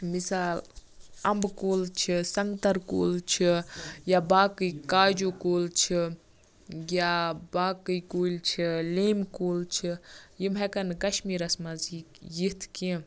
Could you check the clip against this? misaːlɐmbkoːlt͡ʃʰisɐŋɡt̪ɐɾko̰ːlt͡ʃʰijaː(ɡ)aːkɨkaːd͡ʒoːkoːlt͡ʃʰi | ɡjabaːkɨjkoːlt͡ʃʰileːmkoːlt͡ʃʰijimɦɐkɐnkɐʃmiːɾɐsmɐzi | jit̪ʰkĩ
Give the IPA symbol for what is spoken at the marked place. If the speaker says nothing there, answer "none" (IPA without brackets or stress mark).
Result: b